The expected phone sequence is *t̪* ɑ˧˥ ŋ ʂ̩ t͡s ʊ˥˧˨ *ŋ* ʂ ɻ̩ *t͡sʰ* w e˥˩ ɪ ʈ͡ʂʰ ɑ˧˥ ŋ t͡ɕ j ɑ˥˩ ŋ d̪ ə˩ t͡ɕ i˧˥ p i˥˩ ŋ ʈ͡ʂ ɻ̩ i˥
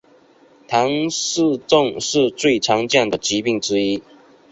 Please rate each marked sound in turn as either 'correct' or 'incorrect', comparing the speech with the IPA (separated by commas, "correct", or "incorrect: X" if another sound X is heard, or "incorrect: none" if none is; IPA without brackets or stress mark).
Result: incorrect: t̪ʰ, correct, incorrect: t͡s